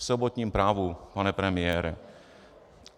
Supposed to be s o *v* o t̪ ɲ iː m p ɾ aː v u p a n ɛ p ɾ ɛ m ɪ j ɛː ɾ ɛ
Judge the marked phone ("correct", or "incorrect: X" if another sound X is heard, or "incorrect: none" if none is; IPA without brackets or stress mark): incorrect: b